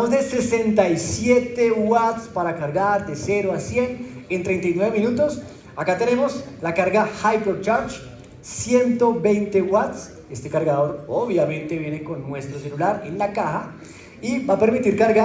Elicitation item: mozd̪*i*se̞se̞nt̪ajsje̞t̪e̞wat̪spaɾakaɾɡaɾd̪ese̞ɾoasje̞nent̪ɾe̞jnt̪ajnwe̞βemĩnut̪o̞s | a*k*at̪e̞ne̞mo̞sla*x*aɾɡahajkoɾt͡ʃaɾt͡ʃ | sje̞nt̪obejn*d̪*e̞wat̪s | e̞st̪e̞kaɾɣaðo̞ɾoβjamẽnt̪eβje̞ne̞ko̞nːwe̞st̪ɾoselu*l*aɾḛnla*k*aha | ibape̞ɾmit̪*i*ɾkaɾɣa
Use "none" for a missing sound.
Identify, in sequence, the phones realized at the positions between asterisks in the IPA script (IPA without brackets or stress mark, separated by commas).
e, k, k, t̪, l, k, i